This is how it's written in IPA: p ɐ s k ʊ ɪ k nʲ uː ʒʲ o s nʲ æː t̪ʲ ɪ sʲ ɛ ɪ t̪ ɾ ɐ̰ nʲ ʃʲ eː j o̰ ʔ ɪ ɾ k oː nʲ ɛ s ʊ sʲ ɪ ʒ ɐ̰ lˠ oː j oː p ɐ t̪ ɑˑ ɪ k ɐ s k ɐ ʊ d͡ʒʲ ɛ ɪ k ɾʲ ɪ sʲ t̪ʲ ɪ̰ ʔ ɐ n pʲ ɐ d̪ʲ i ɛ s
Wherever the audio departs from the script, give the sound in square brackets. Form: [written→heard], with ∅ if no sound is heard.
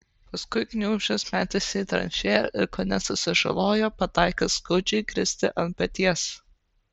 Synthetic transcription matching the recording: p ɐ s k ʊ ɪ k nʲ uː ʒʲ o s [nʲ→mʲ] æː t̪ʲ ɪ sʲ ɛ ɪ t̪ ɾ ɐ̰ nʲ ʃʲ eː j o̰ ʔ ɪ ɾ k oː nʲ ɛ s ʊ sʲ ɪ ʒ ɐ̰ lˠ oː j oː p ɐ t̪ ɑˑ ɪ k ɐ s k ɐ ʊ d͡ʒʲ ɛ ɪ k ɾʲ ɪ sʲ t̪ʲ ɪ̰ ʔ ɐ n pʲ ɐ [d̪ʲ→t̪ʲ] i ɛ s